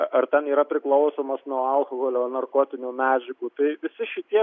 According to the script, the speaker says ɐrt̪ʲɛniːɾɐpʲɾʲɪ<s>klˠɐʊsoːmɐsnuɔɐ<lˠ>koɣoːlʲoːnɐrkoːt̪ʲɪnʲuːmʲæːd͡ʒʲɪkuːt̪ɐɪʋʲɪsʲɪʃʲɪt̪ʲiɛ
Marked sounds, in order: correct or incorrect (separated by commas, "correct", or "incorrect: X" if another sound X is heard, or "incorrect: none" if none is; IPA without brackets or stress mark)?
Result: incorrect: none, correct